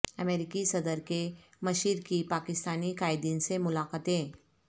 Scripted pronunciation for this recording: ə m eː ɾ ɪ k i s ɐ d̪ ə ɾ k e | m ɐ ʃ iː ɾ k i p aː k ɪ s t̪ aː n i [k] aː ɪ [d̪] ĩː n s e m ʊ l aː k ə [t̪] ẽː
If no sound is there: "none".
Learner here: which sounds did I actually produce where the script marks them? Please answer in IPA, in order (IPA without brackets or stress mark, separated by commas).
k, d̪, t̪